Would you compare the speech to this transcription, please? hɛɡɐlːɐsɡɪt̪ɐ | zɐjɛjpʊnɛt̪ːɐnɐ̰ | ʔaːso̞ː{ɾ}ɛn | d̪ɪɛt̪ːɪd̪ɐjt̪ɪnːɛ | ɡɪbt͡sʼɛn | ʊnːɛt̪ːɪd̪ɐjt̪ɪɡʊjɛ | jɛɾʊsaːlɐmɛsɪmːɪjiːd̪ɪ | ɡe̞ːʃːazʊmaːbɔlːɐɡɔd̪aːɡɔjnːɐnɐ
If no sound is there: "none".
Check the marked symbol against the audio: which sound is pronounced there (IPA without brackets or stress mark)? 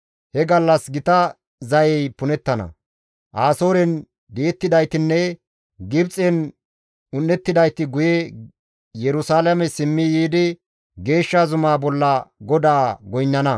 ɾ